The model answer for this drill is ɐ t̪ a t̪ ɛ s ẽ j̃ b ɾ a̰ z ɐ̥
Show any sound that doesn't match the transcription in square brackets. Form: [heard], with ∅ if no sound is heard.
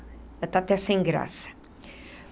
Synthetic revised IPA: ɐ t̪ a t̪ ɛ s ẽ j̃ [ɡ] ɾ a̰ [s] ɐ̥

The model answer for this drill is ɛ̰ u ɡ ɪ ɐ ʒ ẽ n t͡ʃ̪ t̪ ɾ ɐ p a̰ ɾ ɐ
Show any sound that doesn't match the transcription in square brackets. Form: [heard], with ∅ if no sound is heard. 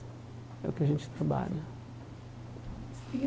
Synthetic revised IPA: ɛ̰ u [k] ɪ ɐ ʒ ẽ n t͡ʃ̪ t̪ ɾ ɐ [b] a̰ [ʎ] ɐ

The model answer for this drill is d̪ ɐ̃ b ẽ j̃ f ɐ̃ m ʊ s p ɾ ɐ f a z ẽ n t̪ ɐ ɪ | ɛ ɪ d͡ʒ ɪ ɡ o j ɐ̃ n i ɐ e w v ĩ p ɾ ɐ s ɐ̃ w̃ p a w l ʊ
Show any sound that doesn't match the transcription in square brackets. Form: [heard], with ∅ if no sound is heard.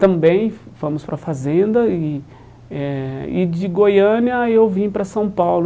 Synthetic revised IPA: [t̪] ɐ̃ b ẽ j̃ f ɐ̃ m ʊ s p ɾ ɐ f a z ẽ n [d̪] ɐ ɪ | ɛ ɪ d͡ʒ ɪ ɡ o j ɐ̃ n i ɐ e w v ĩ p ɾ ɐ s ɐ̃ w̃ p a w l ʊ

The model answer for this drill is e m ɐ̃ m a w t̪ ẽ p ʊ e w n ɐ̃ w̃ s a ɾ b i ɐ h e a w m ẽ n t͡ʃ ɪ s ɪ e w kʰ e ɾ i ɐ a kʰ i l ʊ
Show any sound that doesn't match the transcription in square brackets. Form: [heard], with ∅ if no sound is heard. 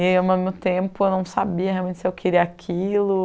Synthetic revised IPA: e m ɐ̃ m [e] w t̪ ẽ p ʊ e w n ɐ̃ w̃ s a [∅] b i ɐ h e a w m ẽ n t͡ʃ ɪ s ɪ e w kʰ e ɾ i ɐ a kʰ i l ʊ

